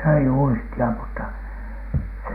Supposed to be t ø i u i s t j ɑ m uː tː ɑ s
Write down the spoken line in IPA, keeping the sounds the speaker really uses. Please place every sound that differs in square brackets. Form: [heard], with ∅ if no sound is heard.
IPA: [s] ø i u i s t [i] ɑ m [u] tː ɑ s